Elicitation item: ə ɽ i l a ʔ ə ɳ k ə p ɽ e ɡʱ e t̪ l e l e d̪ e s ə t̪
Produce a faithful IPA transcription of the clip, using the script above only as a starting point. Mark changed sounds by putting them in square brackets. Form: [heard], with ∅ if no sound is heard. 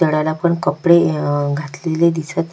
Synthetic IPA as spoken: ə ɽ [a] l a [p] ə ɳ k ə p ɽ e ɡʱ [a] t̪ l e l e d̪ [i] s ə t̪